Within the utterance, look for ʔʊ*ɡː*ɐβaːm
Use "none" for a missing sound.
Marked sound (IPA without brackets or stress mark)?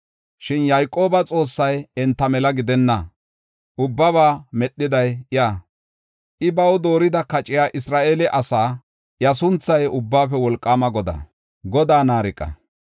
bː